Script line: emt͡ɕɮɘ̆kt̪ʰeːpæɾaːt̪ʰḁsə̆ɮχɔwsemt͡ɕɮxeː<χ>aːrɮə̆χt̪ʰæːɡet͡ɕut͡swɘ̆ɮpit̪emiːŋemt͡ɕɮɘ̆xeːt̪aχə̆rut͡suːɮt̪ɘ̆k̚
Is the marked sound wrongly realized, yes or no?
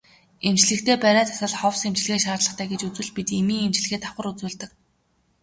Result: yes